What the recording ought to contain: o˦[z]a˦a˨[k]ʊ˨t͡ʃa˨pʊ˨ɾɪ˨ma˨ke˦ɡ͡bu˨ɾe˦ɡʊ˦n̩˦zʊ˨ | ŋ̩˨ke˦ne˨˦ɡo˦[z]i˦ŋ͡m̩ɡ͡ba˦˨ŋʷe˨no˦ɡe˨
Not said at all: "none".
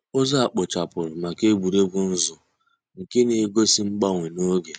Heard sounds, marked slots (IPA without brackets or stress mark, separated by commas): z, k͡p, s